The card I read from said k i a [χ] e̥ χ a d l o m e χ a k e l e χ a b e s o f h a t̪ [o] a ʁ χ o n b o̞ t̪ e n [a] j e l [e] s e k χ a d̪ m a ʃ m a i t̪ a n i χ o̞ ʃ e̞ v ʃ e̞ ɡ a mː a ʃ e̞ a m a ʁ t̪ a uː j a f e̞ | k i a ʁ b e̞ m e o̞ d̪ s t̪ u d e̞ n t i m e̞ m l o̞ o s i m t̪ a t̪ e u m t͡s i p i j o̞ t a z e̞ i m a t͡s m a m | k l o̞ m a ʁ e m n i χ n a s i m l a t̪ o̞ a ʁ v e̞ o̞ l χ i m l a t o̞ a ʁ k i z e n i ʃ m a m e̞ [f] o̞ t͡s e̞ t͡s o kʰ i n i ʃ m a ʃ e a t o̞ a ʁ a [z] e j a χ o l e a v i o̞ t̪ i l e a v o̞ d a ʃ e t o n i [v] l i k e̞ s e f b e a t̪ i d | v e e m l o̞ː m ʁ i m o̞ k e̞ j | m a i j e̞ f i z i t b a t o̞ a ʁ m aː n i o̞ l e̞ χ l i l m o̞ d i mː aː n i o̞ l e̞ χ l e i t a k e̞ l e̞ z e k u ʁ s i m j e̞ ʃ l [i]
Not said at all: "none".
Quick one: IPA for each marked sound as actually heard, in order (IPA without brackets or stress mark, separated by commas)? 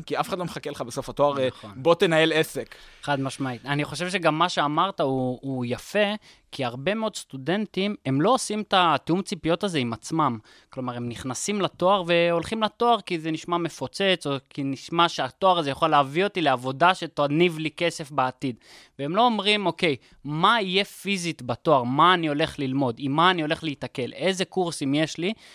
f, o, a, e, f, z, v, i